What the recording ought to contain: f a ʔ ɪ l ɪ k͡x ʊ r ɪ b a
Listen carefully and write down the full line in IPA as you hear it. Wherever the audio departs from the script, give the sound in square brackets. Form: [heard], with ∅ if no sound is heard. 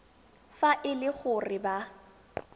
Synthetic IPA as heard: f a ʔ ɪ l ɪ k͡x ʊ r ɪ b a